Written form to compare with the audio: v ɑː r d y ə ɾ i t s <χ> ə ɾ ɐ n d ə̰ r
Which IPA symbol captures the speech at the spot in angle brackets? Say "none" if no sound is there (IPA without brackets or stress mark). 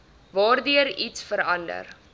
f